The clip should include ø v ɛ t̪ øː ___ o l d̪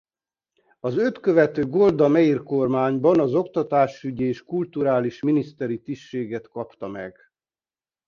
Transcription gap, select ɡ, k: ɡ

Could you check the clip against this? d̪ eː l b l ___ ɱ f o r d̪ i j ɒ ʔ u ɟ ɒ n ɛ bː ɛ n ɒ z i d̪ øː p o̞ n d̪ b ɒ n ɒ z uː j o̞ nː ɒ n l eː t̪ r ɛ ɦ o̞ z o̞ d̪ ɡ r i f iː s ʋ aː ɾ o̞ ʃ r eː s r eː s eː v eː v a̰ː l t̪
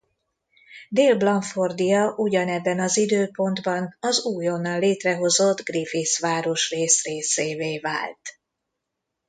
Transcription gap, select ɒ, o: ɒ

